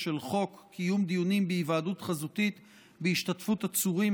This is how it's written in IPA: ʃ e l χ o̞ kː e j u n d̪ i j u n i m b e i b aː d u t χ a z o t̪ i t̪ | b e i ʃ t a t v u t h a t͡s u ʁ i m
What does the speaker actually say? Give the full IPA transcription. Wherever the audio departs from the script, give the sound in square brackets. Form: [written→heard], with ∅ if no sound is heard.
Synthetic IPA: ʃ e l χ o̞ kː [e→i] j u [n→m] d̪ i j u n i m b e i [b→v] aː d u t χ a z [o→u] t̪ i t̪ | b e i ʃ t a t [v→f] u t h a t͡s u ʁ i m